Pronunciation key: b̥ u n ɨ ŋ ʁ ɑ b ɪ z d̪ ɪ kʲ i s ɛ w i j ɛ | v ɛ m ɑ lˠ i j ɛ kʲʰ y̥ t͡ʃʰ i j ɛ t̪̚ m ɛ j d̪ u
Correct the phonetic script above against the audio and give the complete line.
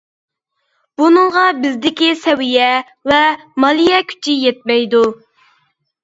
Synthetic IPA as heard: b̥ u n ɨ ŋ ʁ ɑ b ɪ z d̪ ɪ kʲ i s ɛ w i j ɛ | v ɛ m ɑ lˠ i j ɛ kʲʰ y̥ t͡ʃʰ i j ɛ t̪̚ m ɛ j d̪ u